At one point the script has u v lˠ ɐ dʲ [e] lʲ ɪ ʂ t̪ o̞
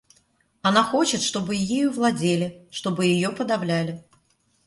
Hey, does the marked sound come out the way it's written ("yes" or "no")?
yes